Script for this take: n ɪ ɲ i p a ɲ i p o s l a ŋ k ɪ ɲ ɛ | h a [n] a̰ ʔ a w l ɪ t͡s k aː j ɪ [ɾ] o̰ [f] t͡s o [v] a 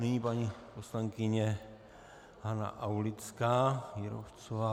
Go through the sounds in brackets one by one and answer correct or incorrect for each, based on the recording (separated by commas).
correct, correct, correct, correct